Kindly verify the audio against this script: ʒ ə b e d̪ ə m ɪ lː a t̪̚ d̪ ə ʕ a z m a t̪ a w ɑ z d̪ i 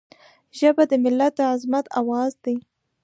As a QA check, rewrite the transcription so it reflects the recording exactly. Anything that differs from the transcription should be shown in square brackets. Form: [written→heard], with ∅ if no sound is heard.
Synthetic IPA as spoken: ʒ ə b [e→a] d̪ ə m ɪ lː a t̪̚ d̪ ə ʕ a z m a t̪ a w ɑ z d̪ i